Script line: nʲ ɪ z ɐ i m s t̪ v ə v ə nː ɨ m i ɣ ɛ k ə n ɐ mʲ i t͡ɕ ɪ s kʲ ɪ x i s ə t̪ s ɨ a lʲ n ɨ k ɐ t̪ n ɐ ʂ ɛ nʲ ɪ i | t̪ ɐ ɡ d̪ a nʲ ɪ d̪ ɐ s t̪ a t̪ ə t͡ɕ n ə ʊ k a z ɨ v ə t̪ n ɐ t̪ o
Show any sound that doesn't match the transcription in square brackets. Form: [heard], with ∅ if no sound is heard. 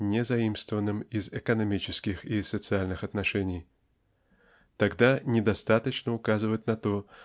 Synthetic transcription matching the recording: nʲ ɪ z ɐ i m s t̪ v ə v ə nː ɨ m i [z] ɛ k ə n ɐ mʲ i t͡ɕ ɪ s kʲ ɪ x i s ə t̪ s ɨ a lʲ n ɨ [x] ɐ t̪ n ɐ ʂ ɛ nʲ ɪ [j] | t̪ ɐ ɡ d̪ a nʲ ɪ d̪ ɐ s t̪ a t̪ ə t͡ɕ n ə ʊ k a z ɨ v ə t̪ n ɐ t̪ o